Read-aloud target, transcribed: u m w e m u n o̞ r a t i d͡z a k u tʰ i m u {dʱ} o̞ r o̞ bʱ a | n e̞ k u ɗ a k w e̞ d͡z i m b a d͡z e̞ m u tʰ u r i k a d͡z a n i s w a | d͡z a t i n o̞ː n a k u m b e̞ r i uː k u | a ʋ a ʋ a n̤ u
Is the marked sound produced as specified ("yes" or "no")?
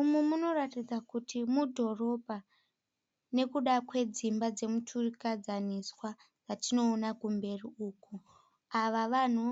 yes